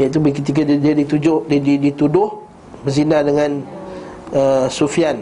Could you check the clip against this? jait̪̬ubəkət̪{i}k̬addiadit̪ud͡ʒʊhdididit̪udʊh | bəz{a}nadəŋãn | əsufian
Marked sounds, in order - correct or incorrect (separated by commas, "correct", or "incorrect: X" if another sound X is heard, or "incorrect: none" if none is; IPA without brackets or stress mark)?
correct, incorrect: i